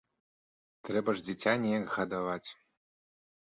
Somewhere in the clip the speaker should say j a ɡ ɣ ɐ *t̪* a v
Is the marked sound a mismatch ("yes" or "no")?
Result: yes